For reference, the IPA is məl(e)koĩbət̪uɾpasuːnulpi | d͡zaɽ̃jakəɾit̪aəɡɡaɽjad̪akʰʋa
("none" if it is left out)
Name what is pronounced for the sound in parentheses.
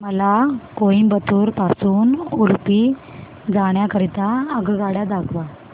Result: a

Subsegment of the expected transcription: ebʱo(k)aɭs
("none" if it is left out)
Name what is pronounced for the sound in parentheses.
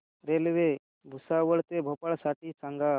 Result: p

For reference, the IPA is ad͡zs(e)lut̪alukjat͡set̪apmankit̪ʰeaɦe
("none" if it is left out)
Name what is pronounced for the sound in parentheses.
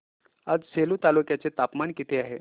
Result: e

